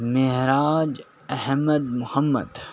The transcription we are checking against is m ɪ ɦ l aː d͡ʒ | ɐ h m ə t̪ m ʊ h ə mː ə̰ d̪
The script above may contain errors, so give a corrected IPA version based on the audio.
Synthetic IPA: m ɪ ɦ ɾ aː d͡ʒ | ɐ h m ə d̪ m ʊ h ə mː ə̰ d̪